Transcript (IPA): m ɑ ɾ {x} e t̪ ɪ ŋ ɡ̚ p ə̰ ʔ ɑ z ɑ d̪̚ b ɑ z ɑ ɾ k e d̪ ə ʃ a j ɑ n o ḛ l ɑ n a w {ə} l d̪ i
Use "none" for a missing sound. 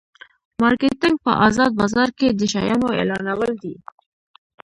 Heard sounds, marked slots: k, ə

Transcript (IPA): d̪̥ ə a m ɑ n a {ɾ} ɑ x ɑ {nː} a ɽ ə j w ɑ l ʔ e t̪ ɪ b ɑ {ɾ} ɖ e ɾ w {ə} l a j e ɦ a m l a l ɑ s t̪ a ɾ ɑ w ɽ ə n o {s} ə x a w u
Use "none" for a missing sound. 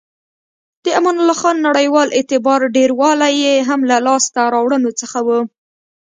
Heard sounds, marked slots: l, nː, ɾ, ɑ, t͡s

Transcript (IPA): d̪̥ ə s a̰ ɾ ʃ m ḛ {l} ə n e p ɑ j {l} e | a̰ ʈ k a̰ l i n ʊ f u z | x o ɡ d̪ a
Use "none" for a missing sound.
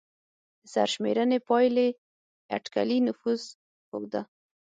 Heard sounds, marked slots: ɾ, l

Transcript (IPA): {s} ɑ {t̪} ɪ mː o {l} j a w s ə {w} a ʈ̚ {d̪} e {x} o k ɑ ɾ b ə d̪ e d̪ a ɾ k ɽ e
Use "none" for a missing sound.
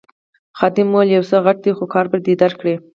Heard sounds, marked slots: x, d̪, l, ɣ, d̪, x

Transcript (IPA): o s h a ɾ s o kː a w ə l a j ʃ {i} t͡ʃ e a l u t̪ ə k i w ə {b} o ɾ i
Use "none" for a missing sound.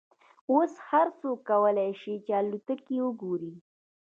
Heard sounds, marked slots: i, ɡ

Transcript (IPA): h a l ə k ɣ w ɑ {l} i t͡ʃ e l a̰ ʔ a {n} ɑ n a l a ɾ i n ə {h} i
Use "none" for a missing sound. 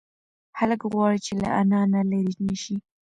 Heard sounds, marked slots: ɽ, n, ʃ

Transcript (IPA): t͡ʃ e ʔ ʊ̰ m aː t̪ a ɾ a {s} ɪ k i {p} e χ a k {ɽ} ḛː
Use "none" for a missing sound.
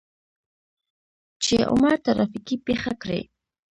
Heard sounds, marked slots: f, p, ɾ

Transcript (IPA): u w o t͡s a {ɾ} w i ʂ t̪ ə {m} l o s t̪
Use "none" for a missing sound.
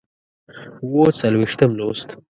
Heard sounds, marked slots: l, m

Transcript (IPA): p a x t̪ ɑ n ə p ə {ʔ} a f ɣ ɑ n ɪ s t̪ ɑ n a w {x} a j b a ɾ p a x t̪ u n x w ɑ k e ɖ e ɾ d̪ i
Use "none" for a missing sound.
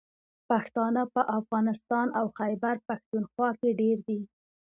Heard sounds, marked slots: ʔ, x

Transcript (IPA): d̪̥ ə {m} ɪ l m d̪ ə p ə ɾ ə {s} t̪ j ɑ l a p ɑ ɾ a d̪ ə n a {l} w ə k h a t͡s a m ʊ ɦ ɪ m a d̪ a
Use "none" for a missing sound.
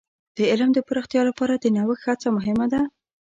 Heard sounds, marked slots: none, x, none

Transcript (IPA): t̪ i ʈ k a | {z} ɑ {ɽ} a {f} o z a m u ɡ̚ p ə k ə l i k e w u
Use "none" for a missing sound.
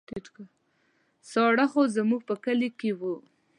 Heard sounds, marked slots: s, ɽ, x

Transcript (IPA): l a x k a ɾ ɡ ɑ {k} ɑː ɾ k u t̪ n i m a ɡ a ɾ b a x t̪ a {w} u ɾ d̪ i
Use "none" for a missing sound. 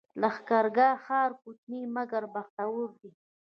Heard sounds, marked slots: x, w

